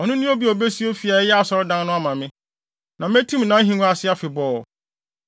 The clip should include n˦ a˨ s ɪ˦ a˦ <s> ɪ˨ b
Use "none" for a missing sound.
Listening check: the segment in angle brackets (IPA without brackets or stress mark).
f